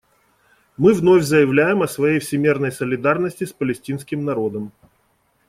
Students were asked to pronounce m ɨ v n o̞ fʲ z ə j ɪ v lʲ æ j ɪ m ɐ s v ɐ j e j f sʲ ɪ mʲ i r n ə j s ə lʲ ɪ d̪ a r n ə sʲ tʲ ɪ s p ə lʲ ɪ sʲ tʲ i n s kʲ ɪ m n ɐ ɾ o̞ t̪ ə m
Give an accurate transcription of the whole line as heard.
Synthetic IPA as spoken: m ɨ v n o̞ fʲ z ə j ɪ v lʲ æ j ɪ m ɐ s v ɐ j e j f sʲ ɪ mʲ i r n ə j s ə lʲ ɪ d̪ a r n ə sʲ tʲ ɪ s p ə lʲ ɪ sʲ tʲ i n s kʲ ɪ m n ɐ ɾ o̞ d̪ ə m